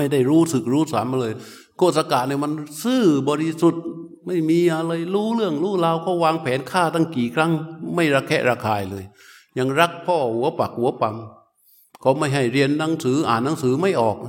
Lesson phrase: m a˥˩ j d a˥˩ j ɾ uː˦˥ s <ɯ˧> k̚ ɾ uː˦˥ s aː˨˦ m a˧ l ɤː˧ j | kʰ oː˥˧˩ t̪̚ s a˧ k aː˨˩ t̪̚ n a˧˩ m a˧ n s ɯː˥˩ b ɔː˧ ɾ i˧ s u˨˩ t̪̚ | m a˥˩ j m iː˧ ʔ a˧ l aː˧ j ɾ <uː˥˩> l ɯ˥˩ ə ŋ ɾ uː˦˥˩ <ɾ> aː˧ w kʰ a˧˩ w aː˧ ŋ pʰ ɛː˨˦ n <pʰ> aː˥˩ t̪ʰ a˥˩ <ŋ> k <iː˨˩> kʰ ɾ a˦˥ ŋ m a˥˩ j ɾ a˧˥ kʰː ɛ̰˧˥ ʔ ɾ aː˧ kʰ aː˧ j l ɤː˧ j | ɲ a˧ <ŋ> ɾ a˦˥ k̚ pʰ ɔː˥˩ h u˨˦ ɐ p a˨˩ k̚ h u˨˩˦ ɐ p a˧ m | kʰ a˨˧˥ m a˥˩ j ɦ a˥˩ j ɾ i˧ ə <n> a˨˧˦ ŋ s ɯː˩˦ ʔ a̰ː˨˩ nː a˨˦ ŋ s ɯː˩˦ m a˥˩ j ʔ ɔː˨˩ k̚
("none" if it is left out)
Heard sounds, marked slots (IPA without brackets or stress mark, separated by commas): ɯ˨˩, uː˦˥, l, kʰ, ŋ, iː˨˩, ŋ, nː